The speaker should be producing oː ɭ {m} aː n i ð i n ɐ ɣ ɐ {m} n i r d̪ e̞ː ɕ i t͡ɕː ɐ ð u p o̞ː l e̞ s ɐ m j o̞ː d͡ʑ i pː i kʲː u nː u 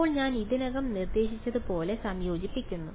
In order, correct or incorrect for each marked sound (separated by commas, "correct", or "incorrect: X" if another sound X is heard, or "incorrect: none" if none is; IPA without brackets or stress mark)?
incorrect: ɲ, correct